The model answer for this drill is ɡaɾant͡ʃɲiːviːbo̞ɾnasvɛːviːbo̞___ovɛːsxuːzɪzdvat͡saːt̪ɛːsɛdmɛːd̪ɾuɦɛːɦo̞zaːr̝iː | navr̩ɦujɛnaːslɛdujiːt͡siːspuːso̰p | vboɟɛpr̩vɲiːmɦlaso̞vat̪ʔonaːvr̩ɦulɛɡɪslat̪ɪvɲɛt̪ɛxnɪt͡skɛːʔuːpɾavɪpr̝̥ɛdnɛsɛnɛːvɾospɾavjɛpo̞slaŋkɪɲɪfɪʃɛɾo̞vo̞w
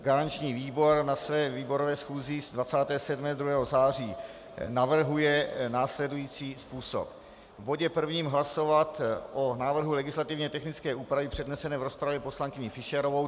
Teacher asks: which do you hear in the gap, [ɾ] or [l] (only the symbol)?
ɾ